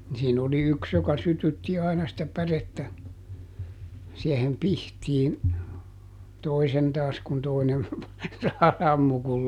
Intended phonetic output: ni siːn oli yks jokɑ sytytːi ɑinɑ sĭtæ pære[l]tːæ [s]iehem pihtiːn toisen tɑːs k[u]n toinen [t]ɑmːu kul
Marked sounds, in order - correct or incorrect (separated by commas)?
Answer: incorrect, correct, correct, incorrect